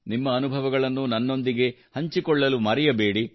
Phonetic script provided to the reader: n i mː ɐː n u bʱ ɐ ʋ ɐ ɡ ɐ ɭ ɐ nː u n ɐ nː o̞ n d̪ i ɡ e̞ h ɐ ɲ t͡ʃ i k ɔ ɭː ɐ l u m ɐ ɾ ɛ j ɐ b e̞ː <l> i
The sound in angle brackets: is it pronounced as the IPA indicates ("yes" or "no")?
no